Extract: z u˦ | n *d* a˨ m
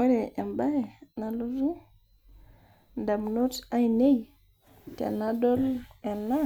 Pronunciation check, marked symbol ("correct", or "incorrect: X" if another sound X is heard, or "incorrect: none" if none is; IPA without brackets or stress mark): correct